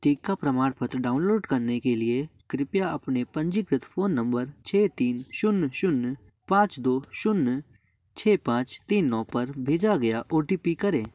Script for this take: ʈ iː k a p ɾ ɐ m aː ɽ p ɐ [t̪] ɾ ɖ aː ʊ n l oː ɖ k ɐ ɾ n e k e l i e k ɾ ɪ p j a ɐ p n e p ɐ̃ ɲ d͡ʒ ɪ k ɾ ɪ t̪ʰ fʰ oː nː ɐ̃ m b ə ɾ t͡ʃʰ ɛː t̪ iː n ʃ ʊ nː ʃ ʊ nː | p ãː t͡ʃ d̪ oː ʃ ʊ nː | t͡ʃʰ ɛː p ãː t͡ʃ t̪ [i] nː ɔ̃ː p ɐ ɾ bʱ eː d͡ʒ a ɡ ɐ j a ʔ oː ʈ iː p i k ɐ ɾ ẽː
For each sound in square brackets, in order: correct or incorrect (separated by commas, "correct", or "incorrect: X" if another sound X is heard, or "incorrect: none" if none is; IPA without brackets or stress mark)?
correct, incorrect: iː